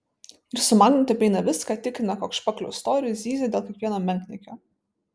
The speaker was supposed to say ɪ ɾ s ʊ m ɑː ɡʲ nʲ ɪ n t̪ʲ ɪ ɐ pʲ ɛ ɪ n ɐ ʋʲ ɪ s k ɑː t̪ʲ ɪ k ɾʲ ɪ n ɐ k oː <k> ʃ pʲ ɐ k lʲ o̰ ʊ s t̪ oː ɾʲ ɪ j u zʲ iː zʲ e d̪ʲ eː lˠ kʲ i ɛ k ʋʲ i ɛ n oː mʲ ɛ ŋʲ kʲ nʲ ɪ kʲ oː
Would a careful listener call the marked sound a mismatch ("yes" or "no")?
no